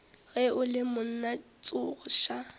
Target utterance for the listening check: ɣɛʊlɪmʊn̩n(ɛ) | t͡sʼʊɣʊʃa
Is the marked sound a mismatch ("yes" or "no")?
yes